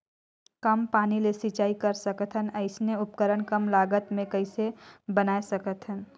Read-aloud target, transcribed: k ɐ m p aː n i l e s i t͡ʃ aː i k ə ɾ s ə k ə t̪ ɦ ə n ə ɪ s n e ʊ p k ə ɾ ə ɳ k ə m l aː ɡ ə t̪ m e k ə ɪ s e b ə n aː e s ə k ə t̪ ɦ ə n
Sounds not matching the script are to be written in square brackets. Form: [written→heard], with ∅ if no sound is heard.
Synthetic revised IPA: k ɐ m p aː n i l e s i t͡ʃ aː i k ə ɾ s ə k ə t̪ ɦ ə n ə ɪ s n e ʊ p k ə ɾ ə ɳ k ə m l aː ɡ ə t̪ m [e→ẽ] k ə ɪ s e b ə n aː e s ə k ə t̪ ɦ ə n